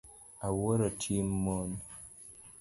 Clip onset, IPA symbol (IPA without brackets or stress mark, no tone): a